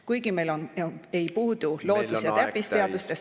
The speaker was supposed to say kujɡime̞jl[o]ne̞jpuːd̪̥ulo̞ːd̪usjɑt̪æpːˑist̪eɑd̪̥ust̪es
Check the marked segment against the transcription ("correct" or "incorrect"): correct